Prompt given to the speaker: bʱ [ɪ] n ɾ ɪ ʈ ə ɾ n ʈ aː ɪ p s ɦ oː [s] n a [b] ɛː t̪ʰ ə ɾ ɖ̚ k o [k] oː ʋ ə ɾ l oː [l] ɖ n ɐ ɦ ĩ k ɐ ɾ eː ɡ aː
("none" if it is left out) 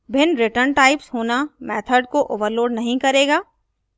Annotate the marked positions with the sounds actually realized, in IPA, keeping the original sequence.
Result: ɪ, none, m, ʔ, none

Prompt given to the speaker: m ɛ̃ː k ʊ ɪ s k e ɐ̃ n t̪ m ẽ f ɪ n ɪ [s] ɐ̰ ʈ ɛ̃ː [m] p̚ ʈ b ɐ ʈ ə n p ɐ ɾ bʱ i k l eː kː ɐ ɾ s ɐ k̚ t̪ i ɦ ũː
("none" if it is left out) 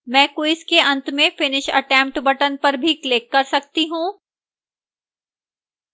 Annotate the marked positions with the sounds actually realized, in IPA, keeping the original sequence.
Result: ʃ, m

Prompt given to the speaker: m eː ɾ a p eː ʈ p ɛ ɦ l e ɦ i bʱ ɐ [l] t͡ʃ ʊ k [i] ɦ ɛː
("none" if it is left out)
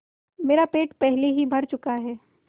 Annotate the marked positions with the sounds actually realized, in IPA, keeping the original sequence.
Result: ɾ, a

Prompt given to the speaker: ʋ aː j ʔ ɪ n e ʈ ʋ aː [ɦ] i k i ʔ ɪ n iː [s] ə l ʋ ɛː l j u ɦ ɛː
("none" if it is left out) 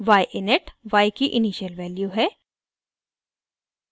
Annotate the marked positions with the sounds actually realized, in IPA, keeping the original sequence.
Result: none, ʃ

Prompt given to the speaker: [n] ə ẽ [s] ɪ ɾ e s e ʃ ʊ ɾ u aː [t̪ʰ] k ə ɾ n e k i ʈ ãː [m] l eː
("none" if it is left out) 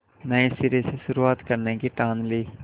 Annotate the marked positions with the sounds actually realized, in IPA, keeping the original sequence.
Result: n, s, t̪, n

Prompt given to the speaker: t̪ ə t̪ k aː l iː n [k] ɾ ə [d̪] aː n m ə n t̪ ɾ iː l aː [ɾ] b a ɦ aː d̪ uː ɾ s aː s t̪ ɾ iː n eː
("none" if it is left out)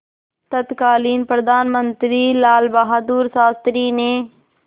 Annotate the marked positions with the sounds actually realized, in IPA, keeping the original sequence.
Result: p, d̪, l

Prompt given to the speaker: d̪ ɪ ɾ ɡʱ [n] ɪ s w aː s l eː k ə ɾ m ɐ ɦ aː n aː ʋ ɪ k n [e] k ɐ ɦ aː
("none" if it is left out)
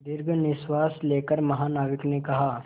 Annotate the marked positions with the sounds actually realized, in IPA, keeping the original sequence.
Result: n, e

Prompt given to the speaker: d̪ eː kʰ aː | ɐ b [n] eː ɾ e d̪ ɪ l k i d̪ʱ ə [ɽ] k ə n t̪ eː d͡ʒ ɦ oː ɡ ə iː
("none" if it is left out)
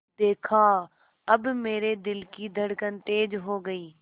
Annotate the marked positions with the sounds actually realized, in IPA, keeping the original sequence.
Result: m, ɽ

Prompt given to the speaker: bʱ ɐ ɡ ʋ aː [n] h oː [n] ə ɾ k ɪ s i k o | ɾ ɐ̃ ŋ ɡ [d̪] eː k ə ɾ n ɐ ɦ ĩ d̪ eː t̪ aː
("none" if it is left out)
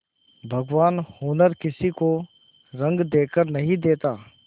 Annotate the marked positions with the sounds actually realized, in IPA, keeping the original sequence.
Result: n, n, d̪

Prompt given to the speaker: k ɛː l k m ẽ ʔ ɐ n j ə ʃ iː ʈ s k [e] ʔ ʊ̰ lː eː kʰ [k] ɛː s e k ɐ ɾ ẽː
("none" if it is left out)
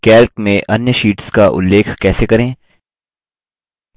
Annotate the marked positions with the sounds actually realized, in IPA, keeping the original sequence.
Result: a, k

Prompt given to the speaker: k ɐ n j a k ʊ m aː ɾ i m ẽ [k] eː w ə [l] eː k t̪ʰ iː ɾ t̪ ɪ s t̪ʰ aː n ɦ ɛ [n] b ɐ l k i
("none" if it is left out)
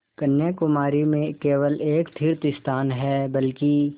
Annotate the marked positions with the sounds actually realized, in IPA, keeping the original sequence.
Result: k, l, none

